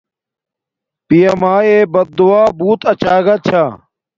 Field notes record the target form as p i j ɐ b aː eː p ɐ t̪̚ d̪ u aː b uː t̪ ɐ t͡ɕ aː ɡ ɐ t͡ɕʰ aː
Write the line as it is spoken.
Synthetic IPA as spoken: p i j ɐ m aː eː b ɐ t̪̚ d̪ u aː b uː t̪ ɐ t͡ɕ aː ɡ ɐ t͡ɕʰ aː